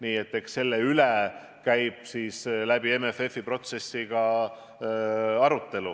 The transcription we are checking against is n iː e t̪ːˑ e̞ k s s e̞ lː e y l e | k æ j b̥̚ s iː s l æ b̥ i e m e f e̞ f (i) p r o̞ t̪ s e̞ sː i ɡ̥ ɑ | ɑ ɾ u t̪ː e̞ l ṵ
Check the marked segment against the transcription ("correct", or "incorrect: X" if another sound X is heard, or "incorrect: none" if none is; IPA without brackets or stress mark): correct